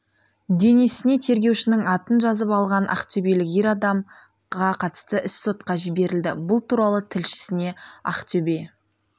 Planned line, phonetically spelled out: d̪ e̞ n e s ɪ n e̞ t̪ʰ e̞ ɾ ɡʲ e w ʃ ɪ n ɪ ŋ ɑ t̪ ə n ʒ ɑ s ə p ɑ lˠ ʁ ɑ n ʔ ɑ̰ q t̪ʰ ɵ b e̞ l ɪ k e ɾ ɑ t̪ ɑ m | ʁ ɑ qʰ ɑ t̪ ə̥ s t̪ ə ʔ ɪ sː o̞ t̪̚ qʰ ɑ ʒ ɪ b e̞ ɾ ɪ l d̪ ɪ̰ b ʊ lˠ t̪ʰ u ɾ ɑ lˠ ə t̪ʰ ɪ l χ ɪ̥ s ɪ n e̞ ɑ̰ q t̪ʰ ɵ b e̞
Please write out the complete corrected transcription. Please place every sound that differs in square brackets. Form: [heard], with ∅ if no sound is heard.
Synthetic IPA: d̪ e̞ n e s ɪ n e̞ t̪ʰ e̞ ɾ ɡʲ e w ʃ ɪ n ɪ ŋ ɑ t̪ ə n ʒ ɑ [z] ə p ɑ lˠ ʁ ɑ n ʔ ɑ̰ q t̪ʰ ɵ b e̞ l ɪ k e ɾ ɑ [d̪] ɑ m | ʁ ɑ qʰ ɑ t̪ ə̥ s t̪ ə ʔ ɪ sː o̞ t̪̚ [q] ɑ ʒ ɪ b e̞ ɾ ɪ l d̪ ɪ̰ b ʊ lˠ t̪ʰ u ɾ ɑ lˠ ə t̪ʰ ɪ l [ʃ] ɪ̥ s ɪ n e̞ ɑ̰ q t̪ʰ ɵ b e̞